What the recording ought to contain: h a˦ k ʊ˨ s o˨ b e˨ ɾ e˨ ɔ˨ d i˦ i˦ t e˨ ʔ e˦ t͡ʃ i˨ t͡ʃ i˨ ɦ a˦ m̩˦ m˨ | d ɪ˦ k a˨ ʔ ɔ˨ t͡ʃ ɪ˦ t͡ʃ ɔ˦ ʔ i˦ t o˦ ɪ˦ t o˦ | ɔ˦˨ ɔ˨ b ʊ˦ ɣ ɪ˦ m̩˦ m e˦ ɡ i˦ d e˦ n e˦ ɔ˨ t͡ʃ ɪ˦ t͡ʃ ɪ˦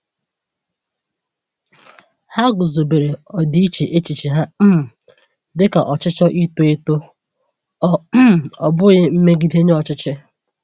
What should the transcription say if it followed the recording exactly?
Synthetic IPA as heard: h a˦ ɡ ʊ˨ z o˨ b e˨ ɾ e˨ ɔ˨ d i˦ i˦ t͡ʃ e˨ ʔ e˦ t͡ʃ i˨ t͡ʃ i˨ ɦ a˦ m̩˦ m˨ | d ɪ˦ k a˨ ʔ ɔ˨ t͡ʃ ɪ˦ t͡ʃ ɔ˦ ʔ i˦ t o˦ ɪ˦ t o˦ | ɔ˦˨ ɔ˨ b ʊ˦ ɣ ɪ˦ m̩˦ m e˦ ɡ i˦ d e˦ ɲ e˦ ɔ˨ t͡ʃ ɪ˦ t͡ʃ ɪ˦